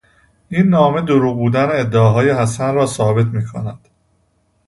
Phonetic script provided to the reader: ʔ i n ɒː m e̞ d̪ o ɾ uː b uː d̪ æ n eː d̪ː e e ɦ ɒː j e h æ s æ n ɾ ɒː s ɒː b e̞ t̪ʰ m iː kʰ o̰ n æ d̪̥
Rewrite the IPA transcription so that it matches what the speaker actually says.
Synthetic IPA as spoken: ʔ i nː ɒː m e̞ d̪ o ɾ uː b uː d̪ æ n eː d̪ː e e ɦ ɒː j e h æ s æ n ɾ ɒː s ɒː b e̞ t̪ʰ m iː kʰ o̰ n æ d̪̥